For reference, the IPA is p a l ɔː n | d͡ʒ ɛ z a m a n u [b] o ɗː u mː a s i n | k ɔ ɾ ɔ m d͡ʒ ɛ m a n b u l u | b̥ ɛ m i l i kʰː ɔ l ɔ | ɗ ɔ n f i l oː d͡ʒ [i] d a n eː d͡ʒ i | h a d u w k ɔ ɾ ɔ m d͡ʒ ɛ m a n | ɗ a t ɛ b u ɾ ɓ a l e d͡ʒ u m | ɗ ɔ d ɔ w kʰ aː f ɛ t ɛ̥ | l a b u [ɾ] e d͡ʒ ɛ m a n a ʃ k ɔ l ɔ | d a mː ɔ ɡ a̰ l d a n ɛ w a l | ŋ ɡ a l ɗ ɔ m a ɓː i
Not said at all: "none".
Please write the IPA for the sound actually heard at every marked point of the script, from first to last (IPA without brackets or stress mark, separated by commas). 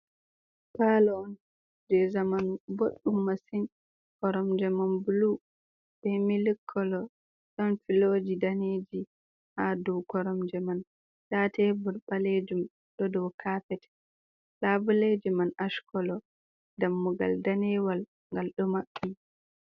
b, i, l